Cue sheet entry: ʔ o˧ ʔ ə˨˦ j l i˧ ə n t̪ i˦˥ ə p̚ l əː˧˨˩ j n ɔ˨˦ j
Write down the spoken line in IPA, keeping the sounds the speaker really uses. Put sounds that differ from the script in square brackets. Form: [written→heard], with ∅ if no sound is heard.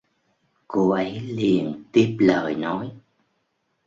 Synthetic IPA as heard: [ʔ→k] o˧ ʔ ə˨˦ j l [i˧→i˨˩] ə n t̪ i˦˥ ə p̚ l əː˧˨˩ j n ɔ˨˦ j